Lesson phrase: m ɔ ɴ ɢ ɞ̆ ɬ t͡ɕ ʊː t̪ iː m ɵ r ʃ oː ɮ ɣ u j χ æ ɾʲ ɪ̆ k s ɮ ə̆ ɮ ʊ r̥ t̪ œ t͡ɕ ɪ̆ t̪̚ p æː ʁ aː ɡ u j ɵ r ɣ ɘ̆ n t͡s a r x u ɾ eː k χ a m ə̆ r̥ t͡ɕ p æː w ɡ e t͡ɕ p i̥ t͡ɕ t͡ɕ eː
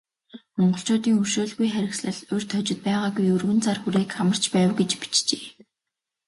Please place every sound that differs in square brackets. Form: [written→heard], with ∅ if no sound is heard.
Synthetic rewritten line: m ɔ ɴ ɢ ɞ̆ ɬ t͡ɕ ʊː t̪ iː [m→ŋ] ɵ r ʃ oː ɮ ɣ u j χ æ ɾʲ ɪ̆ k s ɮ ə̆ ɮ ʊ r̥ [t̪→t̪ʰ] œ t͡ɕ ɪ̆ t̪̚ p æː ʁ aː ɡ u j ɵ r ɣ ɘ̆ n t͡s a r x u ɾ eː k χ a m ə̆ r̥ t͡ɕ p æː w ɡ e t͡ɕ p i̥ t͡ɕ t͡ɕ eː